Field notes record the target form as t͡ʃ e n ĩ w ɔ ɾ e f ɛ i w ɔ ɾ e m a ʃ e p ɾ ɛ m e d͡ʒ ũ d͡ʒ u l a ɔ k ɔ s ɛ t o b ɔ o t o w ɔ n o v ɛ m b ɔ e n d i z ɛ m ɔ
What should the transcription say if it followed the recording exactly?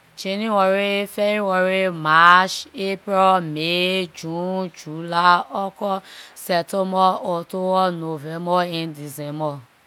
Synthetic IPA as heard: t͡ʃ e n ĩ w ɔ ɾ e f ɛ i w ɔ ɾ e m a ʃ e p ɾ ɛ m e d͡ʒ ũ d͡ʒ u l a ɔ k ɔ s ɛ t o m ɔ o t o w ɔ n o v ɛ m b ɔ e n d i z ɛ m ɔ